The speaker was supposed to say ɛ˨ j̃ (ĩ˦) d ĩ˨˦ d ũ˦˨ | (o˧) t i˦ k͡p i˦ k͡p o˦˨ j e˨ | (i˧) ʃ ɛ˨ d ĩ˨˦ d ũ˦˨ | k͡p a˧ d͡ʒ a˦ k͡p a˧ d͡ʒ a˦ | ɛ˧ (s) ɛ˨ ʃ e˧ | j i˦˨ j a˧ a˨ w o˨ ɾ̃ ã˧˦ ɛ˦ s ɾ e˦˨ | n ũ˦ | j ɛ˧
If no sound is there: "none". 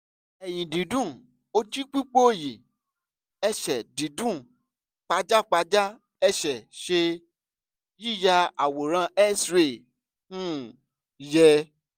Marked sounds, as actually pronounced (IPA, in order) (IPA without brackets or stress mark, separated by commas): ĩ˨, o˧, ɛ˧, ʃ